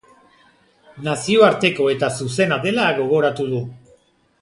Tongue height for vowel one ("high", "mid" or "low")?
low